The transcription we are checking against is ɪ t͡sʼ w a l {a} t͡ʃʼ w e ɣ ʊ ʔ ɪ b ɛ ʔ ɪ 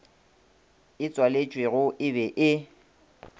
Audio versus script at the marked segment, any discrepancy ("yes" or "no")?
yes